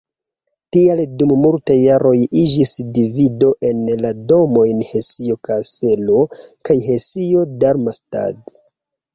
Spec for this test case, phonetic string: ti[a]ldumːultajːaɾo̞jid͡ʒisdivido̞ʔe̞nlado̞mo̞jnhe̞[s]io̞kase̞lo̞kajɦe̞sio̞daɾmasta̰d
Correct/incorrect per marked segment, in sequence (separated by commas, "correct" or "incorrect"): correct, correct